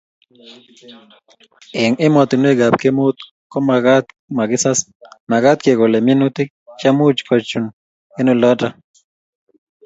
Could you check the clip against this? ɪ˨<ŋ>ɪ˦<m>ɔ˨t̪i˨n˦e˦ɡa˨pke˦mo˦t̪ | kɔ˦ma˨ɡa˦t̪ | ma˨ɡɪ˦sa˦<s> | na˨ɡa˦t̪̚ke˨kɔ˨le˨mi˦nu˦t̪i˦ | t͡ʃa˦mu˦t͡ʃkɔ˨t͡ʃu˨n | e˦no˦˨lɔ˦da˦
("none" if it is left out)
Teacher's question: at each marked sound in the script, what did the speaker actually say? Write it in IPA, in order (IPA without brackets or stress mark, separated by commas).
ŋ, m, s